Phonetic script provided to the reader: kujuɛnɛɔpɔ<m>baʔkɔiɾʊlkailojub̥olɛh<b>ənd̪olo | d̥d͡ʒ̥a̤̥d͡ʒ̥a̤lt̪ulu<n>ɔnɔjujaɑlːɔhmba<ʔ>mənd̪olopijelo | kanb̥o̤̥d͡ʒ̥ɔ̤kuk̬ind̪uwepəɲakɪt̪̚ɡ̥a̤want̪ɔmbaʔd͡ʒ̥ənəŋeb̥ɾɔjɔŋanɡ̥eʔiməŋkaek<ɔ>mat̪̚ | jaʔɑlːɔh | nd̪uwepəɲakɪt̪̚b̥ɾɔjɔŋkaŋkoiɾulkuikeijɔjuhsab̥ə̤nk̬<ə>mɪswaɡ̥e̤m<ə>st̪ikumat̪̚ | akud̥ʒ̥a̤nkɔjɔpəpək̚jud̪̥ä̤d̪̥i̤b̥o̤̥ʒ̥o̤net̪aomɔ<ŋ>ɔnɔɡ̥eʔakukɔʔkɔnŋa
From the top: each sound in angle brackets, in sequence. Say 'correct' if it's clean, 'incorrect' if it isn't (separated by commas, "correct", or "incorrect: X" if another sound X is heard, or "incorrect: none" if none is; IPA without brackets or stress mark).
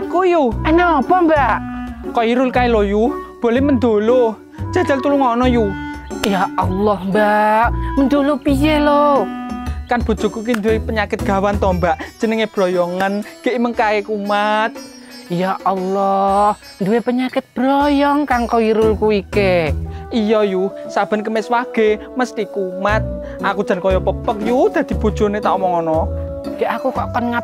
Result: correct, incorrect: m, incorrect: ŋ, correct, incorrect: u, correct, correct, correct